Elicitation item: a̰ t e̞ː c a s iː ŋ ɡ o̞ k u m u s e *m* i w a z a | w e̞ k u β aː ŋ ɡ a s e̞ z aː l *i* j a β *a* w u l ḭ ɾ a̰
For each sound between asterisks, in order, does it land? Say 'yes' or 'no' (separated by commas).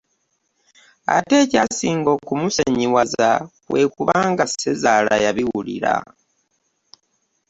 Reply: no, no, no